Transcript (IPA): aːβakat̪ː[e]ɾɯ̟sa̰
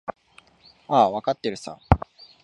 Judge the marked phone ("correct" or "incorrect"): correct